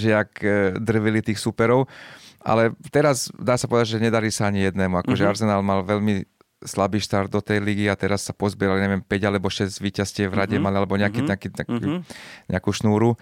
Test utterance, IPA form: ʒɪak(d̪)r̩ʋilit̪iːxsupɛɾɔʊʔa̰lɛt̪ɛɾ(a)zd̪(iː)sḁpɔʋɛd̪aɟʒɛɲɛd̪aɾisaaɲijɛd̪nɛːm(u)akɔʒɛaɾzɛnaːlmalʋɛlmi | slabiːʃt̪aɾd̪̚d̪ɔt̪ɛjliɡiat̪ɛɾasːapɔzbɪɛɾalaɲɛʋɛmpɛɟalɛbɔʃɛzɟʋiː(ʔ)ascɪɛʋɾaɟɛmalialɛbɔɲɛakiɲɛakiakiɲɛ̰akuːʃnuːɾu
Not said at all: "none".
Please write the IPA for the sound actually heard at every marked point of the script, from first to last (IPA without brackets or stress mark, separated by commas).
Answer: d̪, a, aː, u, c